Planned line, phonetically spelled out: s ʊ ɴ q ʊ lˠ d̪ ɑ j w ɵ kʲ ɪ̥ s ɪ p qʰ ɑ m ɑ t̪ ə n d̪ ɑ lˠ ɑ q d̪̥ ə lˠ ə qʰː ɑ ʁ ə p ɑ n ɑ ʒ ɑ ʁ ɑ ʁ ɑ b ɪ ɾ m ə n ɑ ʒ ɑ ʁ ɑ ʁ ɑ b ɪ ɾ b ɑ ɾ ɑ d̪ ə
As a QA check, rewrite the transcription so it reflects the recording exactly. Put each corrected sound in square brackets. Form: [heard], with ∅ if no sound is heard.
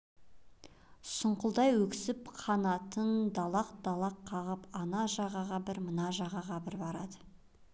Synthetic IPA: s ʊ ɴ q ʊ lˠ d̪ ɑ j w ɵ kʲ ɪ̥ s ɪ p qʰ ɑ [n] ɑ t̪ ə n d̪ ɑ lˠ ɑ q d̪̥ [ɑ] lˠ [ɑ] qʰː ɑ ʁ ə p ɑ n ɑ ʒ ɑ ʁ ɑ ʁ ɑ b ɪ ɾ m ə n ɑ ʒ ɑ ʁ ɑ ʁ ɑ b ɪ ɾ b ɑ ɾ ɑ d̪ ə